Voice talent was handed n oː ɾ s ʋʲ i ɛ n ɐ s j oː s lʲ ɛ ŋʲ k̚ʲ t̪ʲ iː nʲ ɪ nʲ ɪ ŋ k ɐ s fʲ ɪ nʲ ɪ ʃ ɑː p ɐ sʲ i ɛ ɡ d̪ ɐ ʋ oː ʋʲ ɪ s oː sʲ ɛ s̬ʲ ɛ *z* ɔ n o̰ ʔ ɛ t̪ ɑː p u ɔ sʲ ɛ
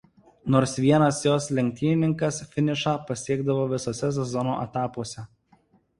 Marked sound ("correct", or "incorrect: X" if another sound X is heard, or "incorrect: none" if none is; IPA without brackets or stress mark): correct